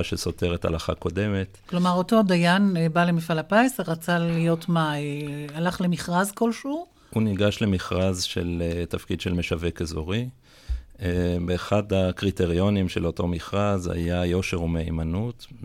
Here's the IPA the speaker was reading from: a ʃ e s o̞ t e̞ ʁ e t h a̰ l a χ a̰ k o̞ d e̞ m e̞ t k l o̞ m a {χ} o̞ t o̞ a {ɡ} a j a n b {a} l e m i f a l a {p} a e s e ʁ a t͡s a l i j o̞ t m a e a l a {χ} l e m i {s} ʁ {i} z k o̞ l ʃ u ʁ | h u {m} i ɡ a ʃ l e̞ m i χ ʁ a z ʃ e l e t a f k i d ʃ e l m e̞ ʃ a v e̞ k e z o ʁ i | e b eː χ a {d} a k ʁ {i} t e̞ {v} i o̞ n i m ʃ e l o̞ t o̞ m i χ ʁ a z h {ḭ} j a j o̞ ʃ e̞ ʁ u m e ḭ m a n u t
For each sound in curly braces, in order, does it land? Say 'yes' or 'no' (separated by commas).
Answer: no, no, yes, yes, yes, no, no, no, yes, yes, no, no